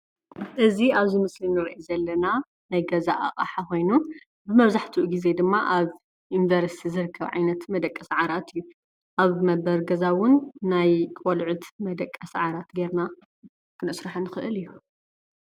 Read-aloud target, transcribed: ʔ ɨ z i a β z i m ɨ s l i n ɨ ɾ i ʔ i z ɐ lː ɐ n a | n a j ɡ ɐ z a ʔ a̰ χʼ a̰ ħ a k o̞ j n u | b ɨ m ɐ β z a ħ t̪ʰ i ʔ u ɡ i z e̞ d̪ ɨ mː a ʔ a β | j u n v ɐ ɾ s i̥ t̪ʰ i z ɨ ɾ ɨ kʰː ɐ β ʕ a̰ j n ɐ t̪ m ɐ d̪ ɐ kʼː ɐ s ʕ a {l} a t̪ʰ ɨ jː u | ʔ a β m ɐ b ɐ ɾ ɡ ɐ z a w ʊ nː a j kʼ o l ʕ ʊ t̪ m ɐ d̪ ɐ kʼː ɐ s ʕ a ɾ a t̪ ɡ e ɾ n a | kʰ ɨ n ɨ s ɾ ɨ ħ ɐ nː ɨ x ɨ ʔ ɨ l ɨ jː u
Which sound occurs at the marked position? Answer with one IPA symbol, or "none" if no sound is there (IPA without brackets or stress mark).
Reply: ɾ